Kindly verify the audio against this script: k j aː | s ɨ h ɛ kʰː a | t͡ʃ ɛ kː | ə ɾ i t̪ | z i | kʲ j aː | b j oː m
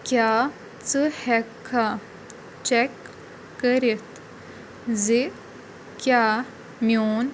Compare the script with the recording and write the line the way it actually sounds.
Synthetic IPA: k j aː | t͡s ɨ h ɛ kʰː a | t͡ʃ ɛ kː | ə ɾ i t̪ | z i | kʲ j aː | m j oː n